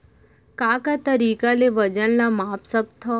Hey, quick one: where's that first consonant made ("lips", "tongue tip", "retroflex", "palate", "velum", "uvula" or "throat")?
velum